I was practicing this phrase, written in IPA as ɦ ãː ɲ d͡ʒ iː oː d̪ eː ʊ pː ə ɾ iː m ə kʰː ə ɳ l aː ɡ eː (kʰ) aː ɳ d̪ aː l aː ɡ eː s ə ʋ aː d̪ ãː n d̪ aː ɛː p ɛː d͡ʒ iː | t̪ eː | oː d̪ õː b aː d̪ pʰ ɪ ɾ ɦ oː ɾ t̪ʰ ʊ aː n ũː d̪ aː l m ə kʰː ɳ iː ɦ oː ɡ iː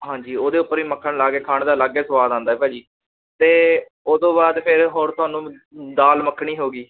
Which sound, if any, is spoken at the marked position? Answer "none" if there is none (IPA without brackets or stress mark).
kʰ